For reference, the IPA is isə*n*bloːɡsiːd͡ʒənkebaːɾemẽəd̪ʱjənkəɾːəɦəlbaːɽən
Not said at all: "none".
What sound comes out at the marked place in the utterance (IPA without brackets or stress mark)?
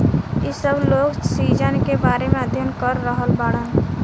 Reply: none